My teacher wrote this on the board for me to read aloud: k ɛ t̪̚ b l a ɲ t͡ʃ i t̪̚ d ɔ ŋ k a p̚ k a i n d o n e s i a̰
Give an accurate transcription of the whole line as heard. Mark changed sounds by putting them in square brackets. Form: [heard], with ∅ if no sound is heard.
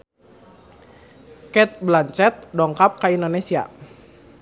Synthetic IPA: k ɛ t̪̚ b l a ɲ t͡ʃ [ɛ] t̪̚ d ɔ ŋ k a p̚ k a i n d o n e s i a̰